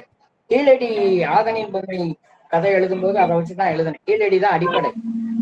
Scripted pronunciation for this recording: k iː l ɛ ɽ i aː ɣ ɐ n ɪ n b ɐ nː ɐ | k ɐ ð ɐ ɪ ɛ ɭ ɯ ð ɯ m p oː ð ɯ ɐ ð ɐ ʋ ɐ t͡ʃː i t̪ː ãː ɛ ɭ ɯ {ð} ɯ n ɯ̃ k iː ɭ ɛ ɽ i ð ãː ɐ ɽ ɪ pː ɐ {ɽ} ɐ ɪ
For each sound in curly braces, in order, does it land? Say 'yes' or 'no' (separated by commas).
yes, yes